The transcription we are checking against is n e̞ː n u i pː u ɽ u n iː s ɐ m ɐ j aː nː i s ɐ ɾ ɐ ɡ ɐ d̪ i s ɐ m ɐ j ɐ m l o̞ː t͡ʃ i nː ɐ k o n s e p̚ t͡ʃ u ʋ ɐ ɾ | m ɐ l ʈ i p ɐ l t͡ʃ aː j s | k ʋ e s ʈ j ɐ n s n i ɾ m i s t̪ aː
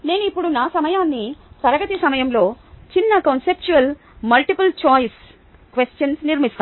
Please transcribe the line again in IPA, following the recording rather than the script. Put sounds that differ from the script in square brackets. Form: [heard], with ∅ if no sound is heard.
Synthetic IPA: n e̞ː n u i pː u ɽ u n [aː] s ɐ m ɐ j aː nː i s ɐ ɾ ɐ ɡ ɐ [t̪] i s ɐ m ɐ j ɐ m l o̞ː t͡ʃ i nː ɐ k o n s e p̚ t͡ʃ u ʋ ɐ [l] | m ɐ l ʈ i p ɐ l t͡ʃ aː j s | k ʋ e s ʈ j ɐ n s n i ɾ m i s t̪ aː